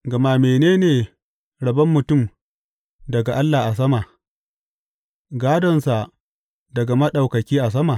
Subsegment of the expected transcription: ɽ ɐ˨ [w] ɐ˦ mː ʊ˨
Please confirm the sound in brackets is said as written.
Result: no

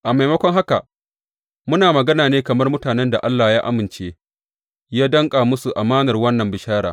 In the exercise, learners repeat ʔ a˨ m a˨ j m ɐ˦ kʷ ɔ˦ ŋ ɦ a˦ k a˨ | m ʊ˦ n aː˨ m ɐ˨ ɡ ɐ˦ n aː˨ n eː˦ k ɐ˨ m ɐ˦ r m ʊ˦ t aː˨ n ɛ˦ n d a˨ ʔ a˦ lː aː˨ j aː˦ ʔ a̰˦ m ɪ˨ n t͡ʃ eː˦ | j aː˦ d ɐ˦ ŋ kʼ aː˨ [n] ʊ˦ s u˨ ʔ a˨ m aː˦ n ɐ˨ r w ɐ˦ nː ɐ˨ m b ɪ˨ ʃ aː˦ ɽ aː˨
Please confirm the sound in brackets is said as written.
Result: no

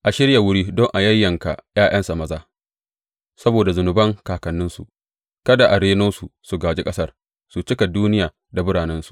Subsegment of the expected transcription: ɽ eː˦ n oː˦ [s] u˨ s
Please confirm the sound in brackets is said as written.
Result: yes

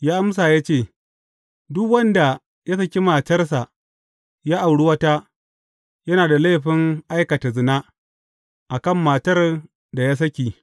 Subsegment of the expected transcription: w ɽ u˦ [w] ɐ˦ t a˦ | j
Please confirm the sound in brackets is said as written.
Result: yes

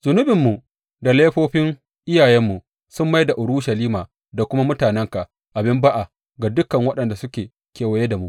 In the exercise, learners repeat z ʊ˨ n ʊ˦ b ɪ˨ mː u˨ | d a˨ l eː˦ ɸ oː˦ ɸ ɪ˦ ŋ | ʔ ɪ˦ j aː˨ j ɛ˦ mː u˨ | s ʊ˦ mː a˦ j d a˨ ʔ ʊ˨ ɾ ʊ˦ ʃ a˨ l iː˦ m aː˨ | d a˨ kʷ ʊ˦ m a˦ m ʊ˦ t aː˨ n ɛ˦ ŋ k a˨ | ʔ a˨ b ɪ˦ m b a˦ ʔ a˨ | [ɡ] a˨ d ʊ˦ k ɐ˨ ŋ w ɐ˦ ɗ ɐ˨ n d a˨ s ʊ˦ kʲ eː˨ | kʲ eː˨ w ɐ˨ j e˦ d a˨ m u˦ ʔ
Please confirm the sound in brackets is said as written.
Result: yes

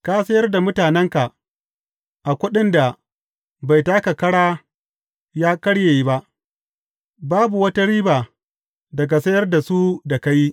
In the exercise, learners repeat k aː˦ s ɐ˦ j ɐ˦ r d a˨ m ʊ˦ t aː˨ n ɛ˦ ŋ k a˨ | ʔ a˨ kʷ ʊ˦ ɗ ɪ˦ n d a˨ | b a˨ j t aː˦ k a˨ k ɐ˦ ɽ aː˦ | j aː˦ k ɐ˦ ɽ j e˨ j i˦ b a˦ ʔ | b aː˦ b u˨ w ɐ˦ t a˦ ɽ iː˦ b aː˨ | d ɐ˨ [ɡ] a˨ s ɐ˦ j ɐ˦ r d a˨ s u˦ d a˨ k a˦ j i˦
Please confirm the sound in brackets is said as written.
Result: yes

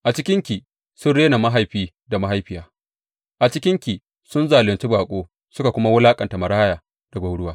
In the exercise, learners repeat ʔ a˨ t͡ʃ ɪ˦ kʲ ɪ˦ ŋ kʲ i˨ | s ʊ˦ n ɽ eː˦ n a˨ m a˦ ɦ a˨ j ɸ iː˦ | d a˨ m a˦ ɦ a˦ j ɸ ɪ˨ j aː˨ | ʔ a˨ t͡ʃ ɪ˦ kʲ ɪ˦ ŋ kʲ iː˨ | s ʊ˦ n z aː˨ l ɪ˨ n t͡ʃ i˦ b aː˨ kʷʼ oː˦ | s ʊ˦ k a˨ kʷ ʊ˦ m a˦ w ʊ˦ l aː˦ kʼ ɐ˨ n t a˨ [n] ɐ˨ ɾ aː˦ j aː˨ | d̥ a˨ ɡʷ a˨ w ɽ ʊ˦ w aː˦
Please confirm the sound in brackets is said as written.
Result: no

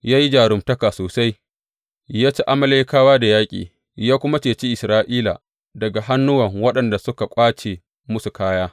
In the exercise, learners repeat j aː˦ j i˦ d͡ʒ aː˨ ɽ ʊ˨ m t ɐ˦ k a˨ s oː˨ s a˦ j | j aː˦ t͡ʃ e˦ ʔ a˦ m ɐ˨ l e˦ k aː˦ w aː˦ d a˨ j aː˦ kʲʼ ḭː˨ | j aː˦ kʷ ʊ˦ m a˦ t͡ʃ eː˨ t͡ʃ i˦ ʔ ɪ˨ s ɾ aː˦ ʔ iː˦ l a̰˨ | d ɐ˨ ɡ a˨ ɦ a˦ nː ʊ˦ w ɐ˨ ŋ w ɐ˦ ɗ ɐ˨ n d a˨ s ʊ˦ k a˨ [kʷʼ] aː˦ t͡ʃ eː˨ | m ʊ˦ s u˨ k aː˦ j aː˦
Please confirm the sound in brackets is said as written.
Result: yes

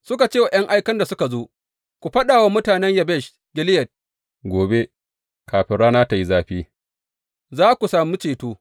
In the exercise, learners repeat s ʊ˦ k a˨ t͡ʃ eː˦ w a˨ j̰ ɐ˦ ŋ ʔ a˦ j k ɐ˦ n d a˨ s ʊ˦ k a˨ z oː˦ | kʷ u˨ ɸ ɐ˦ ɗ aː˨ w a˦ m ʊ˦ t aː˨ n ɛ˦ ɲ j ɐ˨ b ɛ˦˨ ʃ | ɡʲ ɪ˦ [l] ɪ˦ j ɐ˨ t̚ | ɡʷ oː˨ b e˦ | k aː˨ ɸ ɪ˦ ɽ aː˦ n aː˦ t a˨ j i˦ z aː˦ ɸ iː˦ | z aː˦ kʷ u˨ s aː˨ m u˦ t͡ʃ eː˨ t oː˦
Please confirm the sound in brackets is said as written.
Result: yes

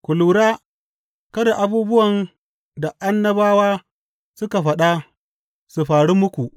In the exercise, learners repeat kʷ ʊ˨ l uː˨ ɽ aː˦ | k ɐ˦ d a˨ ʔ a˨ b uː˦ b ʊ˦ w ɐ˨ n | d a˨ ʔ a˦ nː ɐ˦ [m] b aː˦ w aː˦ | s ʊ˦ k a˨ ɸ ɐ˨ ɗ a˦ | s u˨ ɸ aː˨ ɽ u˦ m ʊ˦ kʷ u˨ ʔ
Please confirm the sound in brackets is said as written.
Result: no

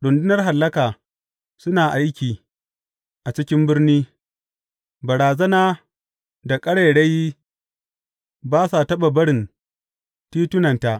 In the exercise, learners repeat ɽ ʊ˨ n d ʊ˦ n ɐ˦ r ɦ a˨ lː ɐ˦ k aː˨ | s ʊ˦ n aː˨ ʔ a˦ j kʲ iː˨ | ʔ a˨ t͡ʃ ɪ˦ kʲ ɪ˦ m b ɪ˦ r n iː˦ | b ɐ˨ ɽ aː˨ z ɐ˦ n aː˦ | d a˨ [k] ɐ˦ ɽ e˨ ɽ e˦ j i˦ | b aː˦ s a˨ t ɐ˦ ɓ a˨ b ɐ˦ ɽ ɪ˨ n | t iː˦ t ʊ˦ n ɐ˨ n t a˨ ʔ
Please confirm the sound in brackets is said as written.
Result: no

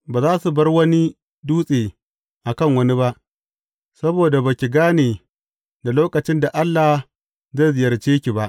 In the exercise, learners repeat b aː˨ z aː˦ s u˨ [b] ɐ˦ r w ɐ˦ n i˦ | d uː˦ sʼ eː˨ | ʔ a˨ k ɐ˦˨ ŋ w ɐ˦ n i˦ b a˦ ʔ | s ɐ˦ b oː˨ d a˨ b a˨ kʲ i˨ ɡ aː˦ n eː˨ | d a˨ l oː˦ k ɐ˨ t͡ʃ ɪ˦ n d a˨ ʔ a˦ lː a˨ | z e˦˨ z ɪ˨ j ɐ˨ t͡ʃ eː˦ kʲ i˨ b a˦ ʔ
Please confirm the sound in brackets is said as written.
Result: yes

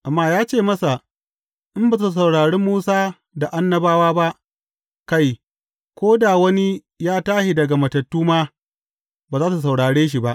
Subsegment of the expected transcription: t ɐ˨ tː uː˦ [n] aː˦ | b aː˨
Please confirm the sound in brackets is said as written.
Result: no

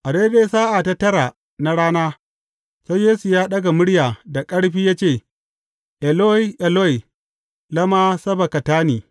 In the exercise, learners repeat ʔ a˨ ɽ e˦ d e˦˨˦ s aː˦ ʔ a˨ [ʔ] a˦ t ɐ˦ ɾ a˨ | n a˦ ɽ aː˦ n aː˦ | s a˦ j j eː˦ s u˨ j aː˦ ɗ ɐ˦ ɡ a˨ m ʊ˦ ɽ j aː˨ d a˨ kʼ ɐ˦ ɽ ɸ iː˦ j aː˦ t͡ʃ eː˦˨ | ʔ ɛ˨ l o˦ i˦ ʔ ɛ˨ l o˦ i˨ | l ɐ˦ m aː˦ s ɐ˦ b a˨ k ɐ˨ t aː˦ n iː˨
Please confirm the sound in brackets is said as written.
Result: no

